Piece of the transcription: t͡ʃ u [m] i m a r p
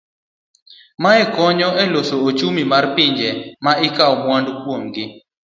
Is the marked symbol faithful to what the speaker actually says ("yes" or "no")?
yes